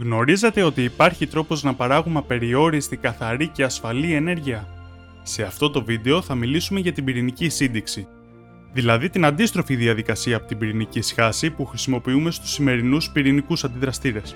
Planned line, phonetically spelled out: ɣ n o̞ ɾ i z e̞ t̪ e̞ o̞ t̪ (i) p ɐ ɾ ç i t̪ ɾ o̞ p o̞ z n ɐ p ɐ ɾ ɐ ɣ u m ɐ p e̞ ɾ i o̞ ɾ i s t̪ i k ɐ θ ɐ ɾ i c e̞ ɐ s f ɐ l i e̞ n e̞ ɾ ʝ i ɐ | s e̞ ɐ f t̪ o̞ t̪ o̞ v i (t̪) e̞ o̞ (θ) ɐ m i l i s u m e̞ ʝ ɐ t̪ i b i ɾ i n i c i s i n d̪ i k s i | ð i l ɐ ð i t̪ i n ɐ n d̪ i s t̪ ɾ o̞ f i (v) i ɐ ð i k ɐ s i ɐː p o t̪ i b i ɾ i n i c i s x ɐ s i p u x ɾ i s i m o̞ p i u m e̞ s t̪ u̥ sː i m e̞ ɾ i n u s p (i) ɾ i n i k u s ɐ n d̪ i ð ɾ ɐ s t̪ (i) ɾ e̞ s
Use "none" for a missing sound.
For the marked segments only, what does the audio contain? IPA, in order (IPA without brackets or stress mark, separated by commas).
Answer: iː, d̪, θ, ð, i, i